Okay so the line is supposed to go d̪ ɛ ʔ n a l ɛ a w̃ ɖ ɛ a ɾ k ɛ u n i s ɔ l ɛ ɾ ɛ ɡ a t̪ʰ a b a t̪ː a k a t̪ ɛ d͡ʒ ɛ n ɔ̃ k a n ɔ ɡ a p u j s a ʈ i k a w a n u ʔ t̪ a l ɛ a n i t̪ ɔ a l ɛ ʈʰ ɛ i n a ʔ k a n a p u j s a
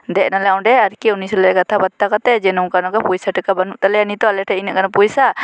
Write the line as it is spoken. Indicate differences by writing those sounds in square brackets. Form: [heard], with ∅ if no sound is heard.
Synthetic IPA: d̪ ɛ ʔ n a l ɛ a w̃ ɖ ɛ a ɾ k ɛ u n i s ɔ l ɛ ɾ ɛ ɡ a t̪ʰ a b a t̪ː a k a t̪ ɛ d͡ʒ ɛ n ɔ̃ k a n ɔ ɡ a p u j s a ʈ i k a [b] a n u ʔ t̪ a l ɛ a n i t̪ ɔ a l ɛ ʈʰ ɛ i n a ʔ k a n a p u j s a